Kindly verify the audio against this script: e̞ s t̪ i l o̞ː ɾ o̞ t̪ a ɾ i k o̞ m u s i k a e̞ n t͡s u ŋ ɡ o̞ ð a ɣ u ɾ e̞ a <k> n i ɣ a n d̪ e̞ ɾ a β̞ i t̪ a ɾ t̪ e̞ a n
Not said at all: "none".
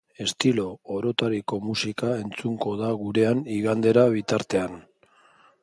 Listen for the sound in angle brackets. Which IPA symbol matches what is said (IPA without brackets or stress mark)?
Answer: none